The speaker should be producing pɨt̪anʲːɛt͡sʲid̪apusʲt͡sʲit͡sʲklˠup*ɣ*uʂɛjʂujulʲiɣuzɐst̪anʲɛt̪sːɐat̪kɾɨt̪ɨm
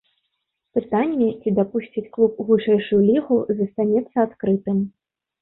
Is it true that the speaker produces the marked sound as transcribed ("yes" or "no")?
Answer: yes